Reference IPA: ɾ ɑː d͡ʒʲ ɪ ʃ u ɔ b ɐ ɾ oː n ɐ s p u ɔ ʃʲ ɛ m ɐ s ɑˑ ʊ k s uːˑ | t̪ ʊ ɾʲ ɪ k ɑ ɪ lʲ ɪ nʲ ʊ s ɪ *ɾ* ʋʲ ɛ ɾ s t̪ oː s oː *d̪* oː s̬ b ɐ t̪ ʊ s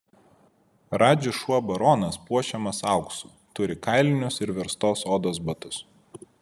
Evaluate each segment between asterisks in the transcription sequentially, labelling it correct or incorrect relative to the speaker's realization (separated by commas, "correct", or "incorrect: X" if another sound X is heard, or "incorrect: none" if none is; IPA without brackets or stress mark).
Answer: correct, correct